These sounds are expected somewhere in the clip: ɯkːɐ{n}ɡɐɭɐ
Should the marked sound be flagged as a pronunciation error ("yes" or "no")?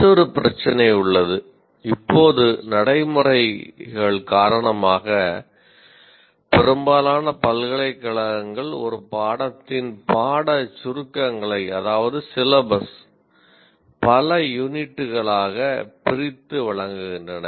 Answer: yes